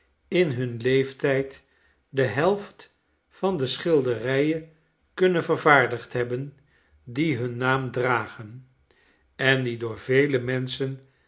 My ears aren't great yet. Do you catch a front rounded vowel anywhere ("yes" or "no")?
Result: no